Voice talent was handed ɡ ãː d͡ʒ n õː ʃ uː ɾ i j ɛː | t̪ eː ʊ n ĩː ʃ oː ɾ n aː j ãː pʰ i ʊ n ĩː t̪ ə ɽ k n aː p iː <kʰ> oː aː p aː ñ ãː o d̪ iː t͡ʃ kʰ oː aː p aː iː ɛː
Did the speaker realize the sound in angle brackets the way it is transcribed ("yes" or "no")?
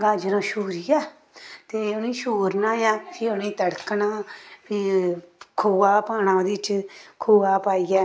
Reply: yes